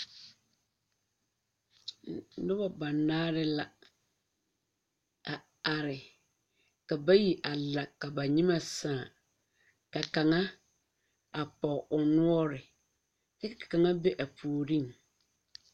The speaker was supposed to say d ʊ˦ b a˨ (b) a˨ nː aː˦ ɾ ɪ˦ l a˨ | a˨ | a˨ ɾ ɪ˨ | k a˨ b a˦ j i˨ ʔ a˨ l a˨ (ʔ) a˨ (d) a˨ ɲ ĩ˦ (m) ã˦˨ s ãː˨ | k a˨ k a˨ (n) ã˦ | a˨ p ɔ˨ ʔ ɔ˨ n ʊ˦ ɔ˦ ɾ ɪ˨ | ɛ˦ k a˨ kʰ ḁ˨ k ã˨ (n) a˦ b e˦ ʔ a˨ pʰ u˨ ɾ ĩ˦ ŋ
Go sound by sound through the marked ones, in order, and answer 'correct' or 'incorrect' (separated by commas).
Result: correct, incorrect, incorrect, correct, incorrect, incorrect